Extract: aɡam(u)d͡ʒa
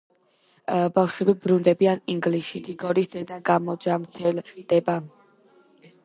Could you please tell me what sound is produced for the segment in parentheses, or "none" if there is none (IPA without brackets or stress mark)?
ɔ